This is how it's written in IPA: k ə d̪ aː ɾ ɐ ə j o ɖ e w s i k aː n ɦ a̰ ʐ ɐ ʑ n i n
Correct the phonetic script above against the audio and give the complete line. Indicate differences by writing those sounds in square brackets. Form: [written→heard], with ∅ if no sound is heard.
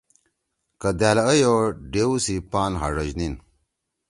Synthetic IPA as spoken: k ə d̪ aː [ɾ→l] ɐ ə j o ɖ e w s i [k→p] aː n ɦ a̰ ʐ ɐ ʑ n i n